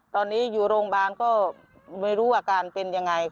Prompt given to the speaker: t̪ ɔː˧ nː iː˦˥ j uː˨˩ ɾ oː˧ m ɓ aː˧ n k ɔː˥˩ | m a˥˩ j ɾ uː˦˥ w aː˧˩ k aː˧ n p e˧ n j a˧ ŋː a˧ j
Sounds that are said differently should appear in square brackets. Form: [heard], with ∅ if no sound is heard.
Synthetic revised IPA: t̪ ɔː˧ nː iː˦˥ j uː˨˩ ɾ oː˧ [ŋ] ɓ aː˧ n k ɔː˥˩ | m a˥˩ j ɾ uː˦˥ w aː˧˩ k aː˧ n p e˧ n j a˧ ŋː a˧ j